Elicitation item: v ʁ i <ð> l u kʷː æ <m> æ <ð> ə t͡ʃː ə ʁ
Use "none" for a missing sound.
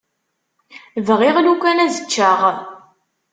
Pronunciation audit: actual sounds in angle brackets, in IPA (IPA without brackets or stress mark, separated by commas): ʁ, n, z